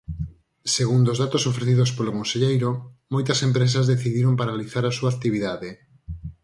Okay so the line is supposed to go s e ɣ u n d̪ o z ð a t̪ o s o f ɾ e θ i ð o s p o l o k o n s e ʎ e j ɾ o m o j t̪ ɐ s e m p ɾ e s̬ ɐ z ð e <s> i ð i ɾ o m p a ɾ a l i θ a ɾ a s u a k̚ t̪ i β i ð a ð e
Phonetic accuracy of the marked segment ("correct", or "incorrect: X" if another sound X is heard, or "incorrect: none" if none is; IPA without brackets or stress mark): incorrect: θ